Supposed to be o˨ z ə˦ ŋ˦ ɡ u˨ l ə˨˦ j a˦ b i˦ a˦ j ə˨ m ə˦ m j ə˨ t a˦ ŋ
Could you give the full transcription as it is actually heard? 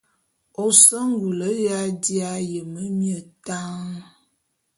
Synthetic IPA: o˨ s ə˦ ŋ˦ ɡ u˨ l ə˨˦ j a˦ d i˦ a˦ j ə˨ m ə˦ m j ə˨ t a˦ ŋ